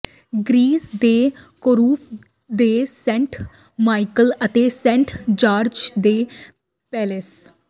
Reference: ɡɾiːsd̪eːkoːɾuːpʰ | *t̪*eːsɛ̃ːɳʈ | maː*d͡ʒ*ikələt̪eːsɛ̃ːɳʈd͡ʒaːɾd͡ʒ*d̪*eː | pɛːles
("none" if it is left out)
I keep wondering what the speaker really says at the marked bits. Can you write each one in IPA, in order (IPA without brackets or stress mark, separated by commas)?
d̪, none, d̪